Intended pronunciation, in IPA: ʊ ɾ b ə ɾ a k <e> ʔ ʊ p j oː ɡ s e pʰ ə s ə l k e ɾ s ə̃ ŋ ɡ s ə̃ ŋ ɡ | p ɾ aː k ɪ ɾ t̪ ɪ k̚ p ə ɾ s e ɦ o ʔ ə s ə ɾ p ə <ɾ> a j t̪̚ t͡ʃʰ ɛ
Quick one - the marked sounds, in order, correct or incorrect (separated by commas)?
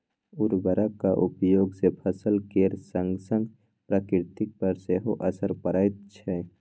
incorrect, correct